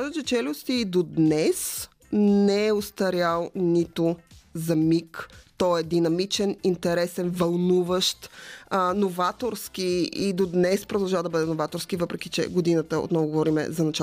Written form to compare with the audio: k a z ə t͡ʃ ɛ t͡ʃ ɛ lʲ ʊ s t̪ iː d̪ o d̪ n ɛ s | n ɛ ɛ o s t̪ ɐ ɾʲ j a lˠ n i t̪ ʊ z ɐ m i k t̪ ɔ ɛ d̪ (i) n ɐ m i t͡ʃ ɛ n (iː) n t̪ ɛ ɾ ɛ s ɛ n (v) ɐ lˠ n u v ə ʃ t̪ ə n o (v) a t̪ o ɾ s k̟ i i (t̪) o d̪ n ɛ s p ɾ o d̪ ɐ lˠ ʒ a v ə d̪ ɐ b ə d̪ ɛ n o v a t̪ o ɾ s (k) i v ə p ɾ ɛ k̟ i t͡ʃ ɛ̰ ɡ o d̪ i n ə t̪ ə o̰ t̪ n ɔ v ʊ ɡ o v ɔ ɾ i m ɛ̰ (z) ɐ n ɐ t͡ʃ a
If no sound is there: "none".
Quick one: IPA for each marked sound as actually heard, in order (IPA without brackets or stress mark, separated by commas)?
i, i, v, v, d̪, k, z